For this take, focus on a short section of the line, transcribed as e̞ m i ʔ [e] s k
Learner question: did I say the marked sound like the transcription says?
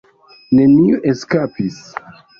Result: yes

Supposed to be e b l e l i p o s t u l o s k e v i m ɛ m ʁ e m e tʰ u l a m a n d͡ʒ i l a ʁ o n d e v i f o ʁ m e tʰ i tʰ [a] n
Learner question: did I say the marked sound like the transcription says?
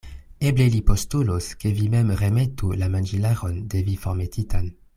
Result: yes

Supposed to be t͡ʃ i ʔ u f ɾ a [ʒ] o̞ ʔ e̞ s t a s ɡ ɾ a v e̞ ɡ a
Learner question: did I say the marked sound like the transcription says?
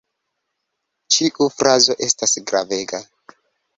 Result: no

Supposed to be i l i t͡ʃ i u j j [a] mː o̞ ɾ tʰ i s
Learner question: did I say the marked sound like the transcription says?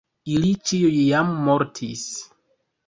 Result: yes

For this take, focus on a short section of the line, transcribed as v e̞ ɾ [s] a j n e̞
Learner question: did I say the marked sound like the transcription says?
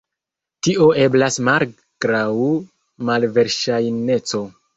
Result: no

